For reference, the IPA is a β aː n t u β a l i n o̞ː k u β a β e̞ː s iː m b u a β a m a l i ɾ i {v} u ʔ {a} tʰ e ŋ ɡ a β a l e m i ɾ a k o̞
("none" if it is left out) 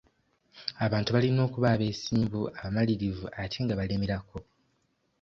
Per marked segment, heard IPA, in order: v, a

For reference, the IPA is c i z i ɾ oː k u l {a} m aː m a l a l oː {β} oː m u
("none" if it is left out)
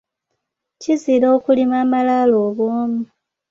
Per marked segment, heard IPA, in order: i, β

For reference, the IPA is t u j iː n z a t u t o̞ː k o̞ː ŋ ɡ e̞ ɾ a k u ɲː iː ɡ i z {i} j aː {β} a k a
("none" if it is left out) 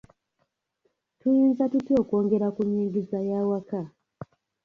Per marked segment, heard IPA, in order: a, w

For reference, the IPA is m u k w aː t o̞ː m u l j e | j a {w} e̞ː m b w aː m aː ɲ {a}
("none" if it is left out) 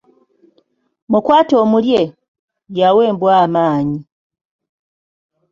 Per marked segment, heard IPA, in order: w, i

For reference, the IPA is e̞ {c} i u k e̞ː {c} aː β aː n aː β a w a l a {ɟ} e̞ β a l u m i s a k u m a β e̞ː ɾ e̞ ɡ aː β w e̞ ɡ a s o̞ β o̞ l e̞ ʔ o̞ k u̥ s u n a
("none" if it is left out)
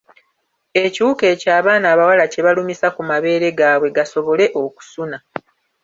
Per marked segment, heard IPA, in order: c, c, c

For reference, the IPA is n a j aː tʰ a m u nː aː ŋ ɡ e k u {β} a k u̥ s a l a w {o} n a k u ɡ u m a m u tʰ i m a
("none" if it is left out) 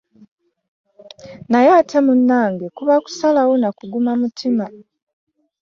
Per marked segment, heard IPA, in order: β, o

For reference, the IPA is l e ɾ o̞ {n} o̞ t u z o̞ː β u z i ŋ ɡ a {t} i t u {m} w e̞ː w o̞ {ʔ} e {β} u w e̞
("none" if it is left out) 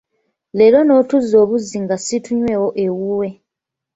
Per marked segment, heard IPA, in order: n, s, ɲ, ʔ, w

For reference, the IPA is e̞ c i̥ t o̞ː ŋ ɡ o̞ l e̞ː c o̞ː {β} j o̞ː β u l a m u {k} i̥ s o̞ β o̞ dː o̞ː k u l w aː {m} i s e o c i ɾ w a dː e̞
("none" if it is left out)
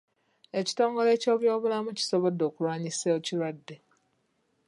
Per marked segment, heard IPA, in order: β, c, ɲ

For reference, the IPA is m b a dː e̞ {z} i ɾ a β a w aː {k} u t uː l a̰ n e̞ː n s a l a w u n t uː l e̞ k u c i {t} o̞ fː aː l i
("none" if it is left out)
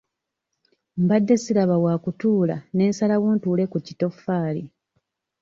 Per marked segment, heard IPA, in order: s, k, t

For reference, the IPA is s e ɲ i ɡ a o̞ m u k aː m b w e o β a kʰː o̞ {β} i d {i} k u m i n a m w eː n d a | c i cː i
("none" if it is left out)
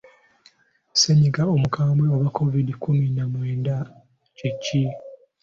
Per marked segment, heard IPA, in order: v, i

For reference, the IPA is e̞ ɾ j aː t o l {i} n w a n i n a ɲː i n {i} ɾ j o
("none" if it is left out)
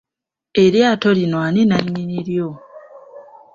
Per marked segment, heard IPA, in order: i, i

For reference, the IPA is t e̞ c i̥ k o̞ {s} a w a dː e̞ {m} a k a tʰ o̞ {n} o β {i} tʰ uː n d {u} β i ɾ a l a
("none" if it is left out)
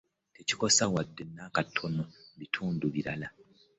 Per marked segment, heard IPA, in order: s, n, n, i, u

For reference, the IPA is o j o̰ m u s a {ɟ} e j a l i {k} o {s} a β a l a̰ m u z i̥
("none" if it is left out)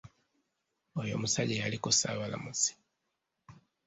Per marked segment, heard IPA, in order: ɟ, k, s

